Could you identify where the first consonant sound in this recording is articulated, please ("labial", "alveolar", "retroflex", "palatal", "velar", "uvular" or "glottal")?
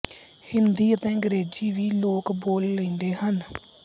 glottal